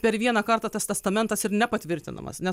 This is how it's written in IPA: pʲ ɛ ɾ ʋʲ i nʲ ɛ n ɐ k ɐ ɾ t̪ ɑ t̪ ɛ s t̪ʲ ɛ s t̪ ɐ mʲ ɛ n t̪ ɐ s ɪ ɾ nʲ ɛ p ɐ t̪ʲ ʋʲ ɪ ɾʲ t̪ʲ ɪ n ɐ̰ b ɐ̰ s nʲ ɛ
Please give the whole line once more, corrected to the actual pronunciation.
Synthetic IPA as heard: pʲ ɛ ɾ ʋʲ i ɛ n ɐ k ɐ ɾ t̪ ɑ t̪ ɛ s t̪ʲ ɛ s t̪ ɐ mʲ ɛ n t̪ ɐ s ɪ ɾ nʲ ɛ p ɐ t̪ʲ ʋʲ ɪ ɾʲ t̪ʲ ɪ n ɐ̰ m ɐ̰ s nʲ ɛ